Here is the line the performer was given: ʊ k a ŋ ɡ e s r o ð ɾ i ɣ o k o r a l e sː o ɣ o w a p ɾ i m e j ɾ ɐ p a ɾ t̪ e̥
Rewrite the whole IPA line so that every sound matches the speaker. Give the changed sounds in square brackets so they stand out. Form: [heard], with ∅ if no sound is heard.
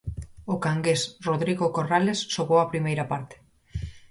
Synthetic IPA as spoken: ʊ k a ŋ ɡ e s r o ð ɾ i ɣ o k o r a l e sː o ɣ o w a p ɾ i m e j ɾ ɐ p a ɾ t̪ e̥